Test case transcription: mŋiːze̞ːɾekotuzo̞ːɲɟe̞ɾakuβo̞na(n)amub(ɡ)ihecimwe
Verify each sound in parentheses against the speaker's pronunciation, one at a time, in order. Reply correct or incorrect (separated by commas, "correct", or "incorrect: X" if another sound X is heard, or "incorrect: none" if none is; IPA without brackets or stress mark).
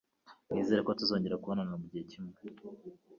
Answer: correct, incorrect: ɟ